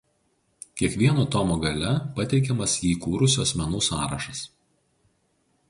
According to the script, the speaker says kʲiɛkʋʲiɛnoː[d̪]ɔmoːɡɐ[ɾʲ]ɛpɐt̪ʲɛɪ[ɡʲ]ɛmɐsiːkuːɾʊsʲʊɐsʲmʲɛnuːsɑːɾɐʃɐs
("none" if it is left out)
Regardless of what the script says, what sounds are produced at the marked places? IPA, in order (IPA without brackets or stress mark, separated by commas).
t̪, lʲ, kʲ